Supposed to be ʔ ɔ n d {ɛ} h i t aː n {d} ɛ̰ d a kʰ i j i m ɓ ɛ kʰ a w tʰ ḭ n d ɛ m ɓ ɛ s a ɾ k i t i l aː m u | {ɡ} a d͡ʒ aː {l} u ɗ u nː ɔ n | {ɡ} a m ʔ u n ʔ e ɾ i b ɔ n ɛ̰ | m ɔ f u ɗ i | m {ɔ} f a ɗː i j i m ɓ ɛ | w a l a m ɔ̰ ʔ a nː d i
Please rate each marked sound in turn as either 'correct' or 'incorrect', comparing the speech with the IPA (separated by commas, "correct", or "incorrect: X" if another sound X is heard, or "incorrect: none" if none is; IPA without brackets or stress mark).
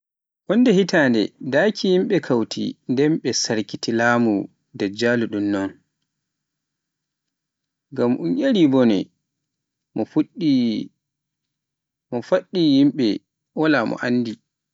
correct, correct, incorrect: d, correct, correct, correct